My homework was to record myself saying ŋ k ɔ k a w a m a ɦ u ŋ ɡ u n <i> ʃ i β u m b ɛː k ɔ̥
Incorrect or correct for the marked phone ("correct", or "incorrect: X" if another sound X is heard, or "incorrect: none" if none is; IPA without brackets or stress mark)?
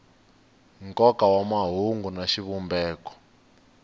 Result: incorrect: a